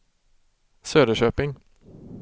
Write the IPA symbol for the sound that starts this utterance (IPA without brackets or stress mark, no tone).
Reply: s